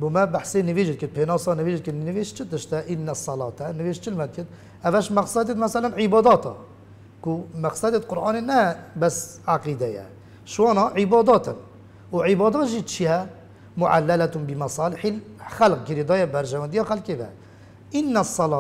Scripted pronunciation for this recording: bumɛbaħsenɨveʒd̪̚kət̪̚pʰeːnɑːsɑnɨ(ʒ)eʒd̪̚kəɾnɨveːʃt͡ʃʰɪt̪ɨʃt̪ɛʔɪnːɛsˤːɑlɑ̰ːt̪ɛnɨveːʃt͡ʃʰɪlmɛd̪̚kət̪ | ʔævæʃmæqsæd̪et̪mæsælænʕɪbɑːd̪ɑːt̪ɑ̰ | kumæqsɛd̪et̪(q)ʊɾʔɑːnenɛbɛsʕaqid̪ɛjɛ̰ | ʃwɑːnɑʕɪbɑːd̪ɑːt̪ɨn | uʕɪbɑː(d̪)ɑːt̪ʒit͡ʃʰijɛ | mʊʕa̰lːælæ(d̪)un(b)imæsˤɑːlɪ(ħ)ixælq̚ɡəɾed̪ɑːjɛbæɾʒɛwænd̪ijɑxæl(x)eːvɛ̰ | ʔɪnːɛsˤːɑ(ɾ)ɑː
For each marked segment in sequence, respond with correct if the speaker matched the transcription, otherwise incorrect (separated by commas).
incorrect, correct, correct, incorrect, correct, correct, incorrect, incorrect